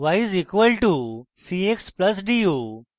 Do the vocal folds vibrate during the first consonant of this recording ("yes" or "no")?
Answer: yes